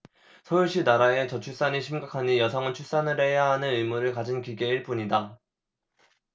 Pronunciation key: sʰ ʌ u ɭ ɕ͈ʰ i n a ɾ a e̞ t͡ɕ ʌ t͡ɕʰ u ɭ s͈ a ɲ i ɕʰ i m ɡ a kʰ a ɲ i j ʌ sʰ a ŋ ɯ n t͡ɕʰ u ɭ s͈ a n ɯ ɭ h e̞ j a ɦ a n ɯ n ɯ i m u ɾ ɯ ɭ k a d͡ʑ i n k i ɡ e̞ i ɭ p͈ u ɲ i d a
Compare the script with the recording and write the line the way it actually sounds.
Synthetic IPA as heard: sʰ ʌ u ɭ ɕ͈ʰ i n a ɾ a e̞ t͡ɕ ʌ t͡ɕʰ u ɭ s͈ a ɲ i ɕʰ i m ɡ a kʰ a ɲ i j ʌ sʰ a ŋ ɯ n t͡ɕʰ u ɭ s͈ a n ɯ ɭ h e̞ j a ɦ a n ɯ n ɯ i m u ɾ ɯ ɭ k a d͡ʑ i n k i ɡ e̞ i ɭ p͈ u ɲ i d a